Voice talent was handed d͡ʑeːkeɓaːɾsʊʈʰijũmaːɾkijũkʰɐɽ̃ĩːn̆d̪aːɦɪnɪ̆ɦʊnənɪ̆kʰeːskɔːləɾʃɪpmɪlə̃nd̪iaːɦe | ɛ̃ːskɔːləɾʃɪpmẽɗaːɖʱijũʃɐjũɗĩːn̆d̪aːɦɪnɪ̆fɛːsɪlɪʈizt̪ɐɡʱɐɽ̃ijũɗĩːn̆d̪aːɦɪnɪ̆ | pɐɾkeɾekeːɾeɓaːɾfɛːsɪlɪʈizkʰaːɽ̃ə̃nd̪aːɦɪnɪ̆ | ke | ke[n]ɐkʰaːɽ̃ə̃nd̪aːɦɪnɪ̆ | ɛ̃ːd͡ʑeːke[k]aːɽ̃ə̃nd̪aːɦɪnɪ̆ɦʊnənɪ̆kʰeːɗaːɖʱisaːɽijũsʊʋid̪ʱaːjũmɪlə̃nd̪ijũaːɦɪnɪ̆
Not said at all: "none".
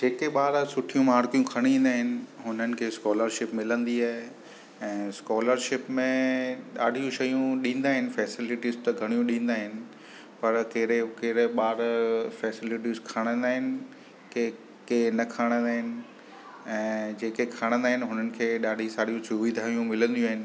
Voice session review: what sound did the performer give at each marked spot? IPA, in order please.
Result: n, kʰ

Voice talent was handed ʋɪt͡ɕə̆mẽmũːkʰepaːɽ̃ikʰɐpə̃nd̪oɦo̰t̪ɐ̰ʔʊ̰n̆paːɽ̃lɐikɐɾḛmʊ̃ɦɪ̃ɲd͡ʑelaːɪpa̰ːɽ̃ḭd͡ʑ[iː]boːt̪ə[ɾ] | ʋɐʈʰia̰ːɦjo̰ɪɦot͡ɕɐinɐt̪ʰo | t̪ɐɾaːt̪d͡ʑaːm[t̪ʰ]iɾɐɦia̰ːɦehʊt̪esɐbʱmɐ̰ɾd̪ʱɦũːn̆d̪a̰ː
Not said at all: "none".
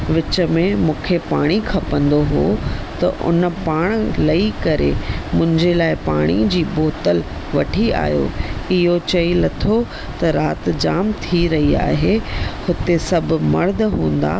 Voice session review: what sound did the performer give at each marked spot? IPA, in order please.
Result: iː, l, t̪ʰ

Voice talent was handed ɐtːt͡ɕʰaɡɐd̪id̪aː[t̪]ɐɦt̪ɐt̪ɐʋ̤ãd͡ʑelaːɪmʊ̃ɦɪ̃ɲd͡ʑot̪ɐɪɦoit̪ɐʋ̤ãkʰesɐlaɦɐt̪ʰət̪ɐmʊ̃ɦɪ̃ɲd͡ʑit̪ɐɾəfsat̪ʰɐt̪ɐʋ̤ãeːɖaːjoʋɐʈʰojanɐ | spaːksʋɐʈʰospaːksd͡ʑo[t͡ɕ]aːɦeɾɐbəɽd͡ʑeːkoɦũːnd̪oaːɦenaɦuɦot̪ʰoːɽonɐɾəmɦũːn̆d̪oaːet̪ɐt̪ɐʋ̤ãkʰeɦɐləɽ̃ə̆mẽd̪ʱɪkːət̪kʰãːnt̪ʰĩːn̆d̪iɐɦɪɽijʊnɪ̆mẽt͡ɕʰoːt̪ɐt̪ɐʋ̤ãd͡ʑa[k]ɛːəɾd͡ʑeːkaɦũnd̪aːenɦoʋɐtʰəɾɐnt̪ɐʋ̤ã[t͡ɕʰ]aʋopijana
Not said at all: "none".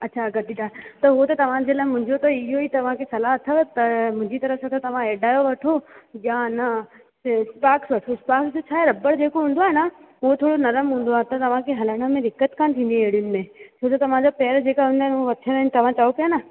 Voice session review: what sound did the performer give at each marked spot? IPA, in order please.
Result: t̪, t͡ɕʰ, p, t͡ɕ

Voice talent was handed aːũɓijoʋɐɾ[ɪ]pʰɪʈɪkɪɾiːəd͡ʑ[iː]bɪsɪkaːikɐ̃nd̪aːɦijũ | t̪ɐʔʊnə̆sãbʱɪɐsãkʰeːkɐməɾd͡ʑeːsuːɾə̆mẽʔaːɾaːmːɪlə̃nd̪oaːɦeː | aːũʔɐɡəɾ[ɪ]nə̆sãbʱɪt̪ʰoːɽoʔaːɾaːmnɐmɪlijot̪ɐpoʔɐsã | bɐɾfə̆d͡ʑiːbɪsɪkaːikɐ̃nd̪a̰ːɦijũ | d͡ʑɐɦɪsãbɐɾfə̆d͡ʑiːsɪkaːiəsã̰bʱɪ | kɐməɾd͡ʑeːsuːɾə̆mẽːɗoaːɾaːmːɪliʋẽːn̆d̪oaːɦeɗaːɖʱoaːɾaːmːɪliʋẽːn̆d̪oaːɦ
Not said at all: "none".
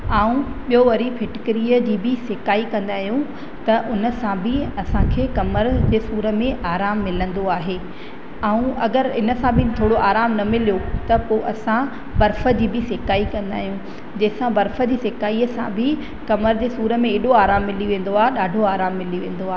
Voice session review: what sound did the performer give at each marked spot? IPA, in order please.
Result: i, iː, ɪ

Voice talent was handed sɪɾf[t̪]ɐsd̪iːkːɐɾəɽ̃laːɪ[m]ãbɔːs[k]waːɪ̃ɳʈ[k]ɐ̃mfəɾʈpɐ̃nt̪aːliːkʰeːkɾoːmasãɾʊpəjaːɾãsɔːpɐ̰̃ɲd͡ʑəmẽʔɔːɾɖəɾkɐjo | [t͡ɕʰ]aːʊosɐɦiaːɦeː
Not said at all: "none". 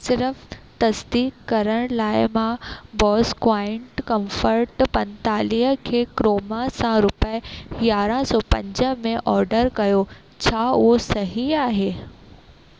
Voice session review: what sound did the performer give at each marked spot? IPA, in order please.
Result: t̪, m, k, k, t͡ɕʰ

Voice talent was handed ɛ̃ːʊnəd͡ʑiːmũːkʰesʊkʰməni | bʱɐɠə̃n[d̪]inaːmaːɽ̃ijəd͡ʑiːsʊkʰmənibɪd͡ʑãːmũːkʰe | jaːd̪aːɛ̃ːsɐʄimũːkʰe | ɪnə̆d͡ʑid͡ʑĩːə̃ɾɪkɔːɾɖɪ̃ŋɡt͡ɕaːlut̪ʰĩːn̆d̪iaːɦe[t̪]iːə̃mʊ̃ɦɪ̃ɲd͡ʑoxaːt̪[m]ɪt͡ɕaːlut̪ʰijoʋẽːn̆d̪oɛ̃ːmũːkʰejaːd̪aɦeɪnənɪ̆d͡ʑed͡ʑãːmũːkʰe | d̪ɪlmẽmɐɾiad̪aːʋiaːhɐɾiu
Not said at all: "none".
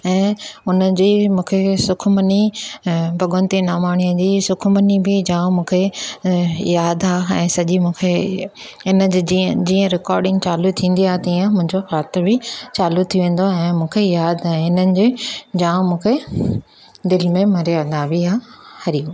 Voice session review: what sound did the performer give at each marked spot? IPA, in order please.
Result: t̪, t̪, b

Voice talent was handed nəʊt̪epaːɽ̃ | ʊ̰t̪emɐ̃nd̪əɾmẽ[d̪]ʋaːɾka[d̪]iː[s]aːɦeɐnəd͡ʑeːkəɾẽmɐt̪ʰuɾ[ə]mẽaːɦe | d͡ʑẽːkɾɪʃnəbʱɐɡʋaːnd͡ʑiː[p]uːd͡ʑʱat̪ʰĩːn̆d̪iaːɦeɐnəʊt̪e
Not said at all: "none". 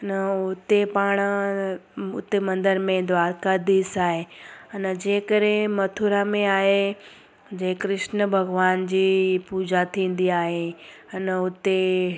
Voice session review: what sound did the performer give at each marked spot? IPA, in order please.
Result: d̪, d̪, s, a, p

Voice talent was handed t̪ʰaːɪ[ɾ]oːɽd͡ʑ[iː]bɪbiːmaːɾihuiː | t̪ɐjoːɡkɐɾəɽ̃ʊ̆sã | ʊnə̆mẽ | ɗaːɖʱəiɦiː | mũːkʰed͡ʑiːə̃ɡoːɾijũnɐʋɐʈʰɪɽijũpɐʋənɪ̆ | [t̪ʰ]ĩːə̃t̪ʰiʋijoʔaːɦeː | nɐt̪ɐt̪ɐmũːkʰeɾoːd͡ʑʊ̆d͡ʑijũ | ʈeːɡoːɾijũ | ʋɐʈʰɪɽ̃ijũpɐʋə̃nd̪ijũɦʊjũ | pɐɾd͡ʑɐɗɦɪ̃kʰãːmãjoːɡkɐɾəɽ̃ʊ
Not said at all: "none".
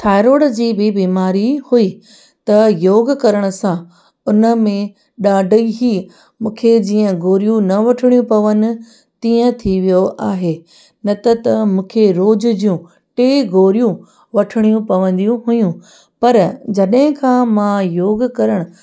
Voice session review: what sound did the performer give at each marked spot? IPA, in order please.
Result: ɾ, iː, t̪

